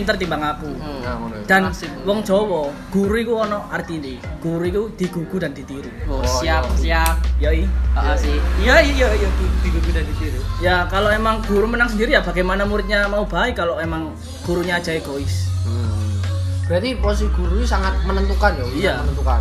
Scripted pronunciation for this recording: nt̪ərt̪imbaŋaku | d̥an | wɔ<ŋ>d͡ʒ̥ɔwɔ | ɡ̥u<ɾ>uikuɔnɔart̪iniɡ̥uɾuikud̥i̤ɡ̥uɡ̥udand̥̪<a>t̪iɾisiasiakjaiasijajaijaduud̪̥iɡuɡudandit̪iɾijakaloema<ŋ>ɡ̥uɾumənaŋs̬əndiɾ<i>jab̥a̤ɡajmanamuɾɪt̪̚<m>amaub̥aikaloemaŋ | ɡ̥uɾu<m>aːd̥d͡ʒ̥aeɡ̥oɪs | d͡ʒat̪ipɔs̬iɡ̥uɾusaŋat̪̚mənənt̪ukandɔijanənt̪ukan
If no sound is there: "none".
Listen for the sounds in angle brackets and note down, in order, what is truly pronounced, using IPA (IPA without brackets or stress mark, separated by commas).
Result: ŋ, ɾ, i, ŋ, i, ɲ, ɲ